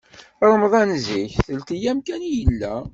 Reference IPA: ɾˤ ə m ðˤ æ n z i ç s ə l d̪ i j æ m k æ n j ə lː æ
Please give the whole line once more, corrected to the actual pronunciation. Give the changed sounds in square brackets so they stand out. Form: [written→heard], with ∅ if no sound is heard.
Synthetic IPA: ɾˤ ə m ðˤ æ n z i ç [s→θ] ə l [d̪→t̪] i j æ m k æ n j ə lː æ